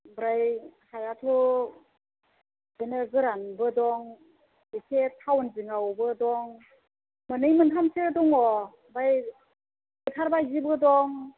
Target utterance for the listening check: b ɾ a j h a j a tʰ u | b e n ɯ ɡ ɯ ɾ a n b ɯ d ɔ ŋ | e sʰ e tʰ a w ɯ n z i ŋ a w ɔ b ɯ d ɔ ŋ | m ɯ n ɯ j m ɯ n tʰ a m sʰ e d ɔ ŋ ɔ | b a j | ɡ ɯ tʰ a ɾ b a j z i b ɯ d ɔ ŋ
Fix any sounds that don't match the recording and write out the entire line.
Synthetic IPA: b ɾ a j h a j a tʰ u | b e n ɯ ɡ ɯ ɾ a n b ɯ d ɔ ŋ | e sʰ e tʰ a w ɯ n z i ŋ a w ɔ b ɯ d ɔ ŋ | m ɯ n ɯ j m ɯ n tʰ a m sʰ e d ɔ ŋ ɔ | b a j | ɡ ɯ tʰ a ɾ b a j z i b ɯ d ɔ ŋ